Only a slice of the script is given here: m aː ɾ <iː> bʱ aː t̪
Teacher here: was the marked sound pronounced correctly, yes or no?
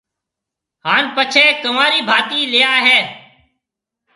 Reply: yes